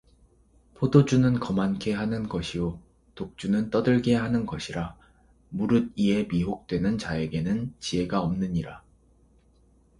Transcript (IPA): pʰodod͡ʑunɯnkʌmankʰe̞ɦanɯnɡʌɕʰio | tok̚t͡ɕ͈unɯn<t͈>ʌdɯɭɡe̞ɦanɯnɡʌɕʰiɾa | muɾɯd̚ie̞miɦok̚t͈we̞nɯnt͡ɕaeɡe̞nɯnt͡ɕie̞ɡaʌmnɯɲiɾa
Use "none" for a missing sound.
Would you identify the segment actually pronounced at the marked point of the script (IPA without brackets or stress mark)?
t͈